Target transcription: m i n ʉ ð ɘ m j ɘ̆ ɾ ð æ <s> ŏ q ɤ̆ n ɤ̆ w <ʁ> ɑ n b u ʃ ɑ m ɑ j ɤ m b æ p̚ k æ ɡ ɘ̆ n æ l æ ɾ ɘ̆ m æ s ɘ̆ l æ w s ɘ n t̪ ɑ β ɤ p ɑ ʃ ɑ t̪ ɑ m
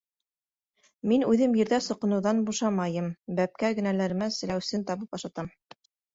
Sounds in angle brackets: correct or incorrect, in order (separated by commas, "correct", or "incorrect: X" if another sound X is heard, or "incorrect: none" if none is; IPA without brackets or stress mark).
correct, incorrect: ð